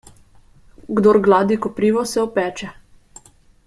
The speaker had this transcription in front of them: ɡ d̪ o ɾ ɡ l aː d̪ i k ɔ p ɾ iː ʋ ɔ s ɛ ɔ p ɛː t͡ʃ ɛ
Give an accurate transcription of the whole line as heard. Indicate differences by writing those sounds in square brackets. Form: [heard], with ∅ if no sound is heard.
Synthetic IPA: ɡ d̪ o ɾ ɡ l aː d̪ i k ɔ p ɾ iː ʋ ɔ s ɛ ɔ p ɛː t͡ʃ ɛ